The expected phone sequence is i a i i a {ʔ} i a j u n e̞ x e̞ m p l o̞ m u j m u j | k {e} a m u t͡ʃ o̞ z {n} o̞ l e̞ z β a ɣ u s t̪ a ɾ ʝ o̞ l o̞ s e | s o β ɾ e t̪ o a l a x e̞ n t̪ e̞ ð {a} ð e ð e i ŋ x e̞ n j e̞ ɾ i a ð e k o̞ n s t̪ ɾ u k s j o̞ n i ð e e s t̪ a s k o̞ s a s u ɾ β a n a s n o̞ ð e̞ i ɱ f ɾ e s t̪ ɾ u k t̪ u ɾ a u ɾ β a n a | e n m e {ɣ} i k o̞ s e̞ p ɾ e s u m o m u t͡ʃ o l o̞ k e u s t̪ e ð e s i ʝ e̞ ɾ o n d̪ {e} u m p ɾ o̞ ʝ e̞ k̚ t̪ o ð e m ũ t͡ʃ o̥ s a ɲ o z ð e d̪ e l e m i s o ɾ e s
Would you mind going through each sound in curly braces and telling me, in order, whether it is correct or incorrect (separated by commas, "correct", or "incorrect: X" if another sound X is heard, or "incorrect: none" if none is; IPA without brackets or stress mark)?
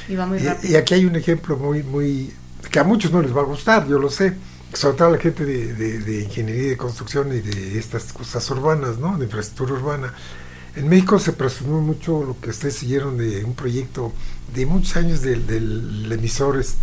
incorrect: k, correct, correct, incorrect: e, incorrect: x, correct